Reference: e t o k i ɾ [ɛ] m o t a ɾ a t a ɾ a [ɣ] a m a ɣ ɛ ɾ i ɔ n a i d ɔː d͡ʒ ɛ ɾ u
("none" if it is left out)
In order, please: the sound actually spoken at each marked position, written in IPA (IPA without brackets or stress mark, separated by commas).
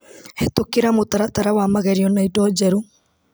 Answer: a, w